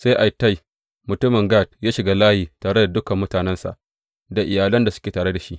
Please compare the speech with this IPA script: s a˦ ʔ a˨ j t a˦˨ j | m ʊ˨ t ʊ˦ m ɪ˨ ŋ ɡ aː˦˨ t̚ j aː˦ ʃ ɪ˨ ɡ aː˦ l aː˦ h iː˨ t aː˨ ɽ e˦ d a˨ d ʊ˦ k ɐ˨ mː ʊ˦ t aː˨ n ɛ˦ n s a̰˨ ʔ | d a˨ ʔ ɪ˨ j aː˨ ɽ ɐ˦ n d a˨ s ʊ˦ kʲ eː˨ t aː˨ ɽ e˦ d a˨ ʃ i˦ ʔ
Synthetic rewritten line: s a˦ ʔ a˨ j t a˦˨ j | m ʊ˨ t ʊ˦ m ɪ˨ ŋ ɡ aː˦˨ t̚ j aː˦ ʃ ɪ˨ ɡ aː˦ l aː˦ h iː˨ t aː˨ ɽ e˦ d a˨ d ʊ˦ k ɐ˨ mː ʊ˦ t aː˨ n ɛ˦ n s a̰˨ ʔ | d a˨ ʔ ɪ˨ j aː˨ l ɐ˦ n d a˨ s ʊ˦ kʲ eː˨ t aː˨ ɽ e˦ d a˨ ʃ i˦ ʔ